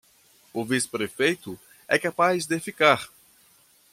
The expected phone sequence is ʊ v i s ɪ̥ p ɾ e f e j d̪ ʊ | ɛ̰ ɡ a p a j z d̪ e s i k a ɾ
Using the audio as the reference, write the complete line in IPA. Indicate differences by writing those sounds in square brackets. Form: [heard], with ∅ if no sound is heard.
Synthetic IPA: ʊ v i s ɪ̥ p ɾ e f e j [t̪] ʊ | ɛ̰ [k] a p a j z d̪ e [f] i k a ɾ